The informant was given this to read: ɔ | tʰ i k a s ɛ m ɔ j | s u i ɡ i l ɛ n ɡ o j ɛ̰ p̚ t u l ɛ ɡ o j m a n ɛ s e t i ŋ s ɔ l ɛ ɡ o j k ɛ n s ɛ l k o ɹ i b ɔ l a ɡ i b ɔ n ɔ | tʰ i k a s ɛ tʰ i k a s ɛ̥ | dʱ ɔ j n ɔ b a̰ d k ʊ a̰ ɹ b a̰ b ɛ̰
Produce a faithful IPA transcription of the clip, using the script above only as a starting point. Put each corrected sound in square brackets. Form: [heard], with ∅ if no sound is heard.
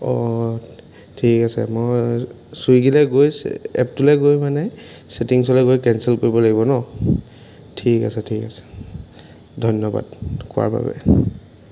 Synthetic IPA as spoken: ɔ | tʰ i k a s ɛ m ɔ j | s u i ɡ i l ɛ [∅] ɡ o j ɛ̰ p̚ t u l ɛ ɡ o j m a n ɛ s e t i ŋ s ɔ l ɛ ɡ o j k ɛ n s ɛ l k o ɹ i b ɔ l a ɡ i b ɔ n ɔ | tʰ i k a s ɛ tʰ i k a s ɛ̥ | dʱ ɔ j n ɔ b a̰ d k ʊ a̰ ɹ b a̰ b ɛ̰